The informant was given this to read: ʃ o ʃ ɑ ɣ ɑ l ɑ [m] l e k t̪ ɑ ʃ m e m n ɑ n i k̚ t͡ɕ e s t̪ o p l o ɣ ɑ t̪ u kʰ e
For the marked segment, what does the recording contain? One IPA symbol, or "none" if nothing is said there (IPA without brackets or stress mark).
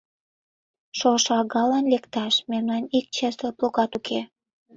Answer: n